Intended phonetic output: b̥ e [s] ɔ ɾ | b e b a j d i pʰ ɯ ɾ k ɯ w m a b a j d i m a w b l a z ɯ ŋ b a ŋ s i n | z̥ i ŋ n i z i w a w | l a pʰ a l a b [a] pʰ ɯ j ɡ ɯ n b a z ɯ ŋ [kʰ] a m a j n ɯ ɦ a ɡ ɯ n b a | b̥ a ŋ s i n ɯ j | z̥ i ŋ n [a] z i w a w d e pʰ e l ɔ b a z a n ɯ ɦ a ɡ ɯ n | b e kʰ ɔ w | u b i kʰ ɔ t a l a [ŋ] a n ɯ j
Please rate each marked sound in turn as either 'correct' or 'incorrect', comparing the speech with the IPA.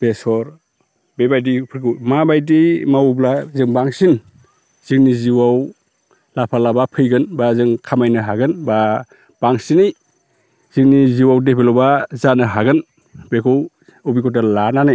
correct, correct, correct, incorrect, incorrect

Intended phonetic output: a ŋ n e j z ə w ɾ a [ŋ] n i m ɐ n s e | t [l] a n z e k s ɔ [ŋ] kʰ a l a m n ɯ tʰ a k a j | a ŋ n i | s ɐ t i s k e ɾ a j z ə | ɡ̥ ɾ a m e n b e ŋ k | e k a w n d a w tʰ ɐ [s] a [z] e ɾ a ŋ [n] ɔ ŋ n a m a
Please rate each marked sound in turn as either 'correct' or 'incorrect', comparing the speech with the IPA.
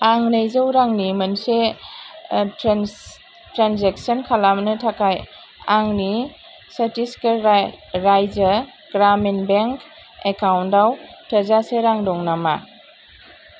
correct, incorrect, incorrect, incorrect, incorrect, incorrect

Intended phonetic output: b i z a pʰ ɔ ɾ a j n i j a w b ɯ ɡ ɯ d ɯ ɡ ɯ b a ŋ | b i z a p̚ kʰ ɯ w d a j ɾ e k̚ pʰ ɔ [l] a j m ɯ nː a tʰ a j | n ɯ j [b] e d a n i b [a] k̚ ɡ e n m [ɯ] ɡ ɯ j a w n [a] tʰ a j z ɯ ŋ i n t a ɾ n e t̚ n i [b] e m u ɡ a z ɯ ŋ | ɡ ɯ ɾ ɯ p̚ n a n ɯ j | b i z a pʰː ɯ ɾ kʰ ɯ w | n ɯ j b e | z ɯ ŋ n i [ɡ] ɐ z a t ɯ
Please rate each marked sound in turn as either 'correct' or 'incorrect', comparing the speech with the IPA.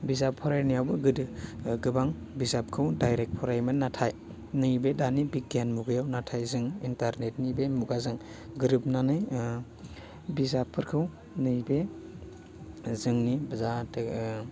incorrect, correct, incorrect, incorrect, correct, correct, incorrect

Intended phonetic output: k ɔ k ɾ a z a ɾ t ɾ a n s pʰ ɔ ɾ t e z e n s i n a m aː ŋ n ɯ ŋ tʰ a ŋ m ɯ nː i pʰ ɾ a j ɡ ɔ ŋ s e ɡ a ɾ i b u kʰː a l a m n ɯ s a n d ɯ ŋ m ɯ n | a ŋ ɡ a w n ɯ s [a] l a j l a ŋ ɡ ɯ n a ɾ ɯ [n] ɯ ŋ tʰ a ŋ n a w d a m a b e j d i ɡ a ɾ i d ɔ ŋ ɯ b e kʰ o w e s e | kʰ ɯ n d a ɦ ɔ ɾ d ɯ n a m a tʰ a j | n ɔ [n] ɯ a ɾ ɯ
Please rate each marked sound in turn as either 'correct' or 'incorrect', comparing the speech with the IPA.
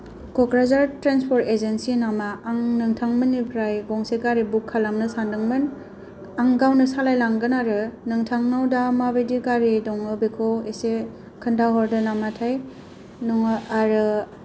correct, correct, incorrect

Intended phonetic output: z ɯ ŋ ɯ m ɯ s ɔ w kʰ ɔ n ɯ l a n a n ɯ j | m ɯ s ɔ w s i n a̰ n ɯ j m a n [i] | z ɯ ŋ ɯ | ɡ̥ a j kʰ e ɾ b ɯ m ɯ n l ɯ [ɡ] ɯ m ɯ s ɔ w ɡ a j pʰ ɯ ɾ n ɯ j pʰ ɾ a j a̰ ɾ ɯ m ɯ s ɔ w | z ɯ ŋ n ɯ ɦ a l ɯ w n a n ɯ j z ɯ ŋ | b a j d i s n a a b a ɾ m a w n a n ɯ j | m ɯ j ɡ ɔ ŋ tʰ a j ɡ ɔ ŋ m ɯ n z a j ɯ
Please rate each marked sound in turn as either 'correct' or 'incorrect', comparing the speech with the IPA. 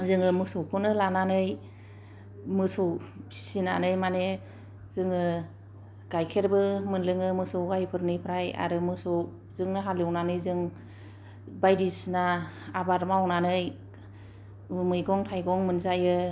incorrect, incorrect

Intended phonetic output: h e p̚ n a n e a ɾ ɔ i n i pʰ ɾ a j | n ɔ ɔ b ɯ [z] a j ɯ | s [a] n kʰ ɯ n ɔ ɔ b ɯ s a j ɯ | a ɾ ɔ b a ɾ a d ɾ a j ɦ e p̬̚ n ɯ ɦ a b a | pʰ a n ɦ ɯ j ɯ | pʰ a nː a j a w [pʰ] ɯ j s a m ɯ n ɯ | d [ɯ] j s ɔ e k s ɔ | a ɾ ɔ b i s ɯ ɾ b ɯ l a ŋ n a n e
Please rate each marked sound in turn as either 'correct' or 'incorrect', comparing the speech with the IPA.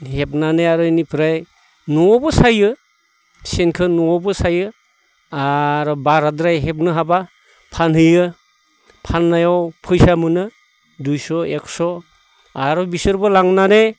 incorrect, incorrect, correct, incorrect

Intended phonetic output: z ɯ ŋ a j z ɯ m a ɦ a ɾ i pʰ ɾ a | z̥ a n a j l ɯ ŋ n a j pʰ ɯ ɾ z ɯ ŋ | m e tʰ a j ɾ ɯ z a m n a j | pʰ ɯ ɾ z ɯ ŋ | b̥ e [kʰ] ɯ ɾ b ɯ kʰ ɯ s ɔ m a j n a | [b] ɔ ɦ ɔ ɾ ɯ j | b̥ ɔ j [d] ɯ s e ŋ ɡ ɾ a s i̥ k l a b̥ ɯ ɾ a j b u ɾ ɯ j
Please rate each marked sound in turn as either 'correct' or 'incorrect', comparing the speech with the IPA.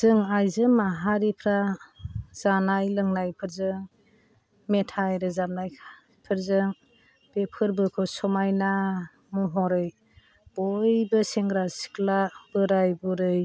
incorrect, incorrect, incorrect

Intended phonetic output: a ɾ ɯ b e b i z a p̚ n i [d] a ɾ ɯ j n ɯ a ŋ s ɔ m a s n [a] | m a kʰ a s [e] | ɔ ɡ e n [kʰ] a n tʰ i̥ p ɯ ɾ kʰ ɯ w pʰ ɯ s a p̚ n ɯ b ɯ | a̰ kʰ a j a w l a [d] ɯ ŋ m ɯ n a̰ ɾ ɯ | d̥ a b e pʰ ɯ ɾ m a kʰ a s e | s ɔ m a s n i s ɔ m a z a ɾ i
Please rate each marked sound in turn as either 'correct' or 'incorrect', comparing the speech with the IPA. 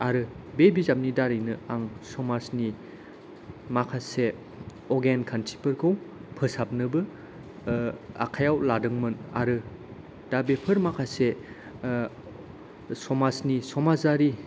correct, incorrect, correct, correct, correct

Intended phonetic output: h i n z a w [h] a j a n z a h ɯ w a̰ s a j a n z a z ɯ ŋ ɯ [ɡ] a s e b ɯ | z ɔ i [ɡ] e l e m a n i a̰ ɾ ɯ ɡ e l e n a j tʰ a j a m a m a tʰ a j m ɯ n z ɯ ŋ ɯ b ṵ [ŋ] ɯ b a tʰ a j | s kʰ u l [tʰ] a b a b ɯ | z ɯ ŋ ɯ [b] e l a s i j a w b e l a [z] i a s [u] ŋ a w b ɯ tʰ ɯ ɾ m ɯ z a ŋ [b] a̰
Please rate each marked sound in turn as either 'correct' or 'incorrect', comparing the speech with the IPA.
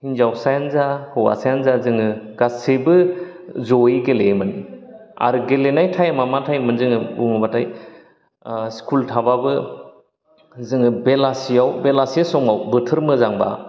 incorrect, correct, correct, correct, correct, correct, incorrect, incorrect, correct

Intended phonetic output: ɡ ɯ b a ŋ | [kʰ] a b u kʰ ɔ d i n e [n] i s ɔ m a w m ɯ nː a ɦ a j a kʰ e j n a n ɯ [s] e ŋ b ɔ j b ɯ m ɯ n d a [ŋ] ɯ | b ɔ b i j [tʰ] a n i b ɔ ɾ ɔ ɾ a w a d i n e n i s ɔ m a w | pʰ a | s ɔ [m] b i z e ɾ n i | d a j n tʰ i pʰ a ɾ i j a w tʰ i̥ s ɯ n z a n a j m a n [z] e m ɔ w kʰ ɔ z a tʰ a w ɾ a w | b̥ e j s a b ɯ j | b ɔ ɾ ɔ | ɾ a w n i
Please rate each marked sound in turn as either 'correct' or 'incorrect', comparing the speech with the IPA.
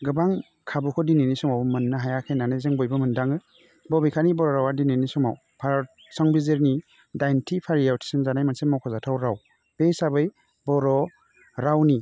correct, correct, incorrect, correct, incorrect, incorrect, incorrect

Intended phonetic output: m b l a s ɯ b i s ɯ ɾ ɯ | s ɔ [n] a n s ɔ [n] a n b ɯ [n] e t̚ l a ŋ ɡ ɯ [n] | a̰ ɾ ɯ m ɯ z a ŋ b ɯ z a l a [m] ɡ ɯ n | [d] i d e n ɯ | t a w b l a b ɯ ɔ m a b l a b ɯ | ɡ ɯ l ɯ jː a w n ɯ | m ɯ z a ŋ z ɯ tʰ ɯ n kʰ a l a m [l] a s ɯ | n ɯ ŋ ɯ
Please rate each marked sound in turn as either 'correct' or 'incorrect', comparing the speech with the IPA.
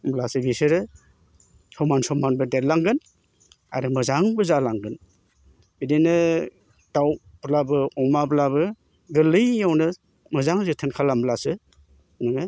incorrect, incorrect, incorrect, correct, incorrect, incorrect, correct

